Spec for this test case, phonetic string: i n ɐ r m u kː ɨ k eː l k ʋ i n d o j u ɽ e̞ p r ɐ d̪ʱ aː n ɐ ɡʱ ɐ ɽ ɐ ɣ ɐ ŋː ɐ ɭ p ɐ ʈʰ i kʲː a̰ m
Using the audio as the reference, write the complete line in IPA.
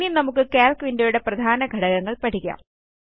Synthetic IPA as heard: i n ɐ m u kː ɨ k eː l k ʋ i n d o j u ɽ e̞ p r ɐ d̪ʱ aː n ɐ ɡʱ ɐ ɽ ɐ ɣ ɐ ŋː ɐ ɭ p ɐ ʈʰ i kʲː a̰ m

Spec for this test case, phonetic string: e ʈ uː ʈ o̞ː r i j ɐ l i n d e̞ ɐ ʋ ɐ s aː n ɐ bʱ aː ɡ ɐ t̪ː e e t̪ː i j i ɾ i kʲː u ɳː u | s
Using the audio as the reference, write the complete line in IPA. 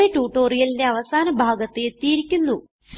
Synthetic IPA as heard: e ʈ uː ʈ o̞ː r i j ɐ l i n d e̞ ɐ ʋ ɐ s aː n ɐ bʱ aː ɡ ɐ t̪ː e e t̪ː i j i ɾ i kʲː u nː u | s

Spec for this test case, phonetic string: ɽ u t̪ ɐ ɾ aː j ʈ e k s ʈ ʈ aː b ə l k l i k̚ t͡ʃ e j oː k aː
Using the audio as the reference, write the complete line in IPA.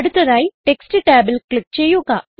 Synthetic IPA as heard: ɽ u t̪ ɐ ɾ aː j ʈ e k s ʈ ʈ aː b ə l k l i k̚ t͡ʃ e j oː k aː

